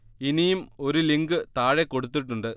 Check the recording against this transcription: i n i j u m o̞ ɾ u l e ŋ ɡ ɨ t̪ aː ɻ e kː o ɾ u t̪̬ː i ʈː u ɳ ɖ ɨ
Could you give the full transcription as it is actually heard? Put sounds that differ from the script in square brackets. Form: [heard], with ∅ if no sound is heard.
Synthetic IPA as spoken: i n i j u m o̞ ɾ u l [i] ŋ ɡ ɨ t̪ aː ɻ e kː o [ɽ] u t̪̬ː i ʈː u ɳ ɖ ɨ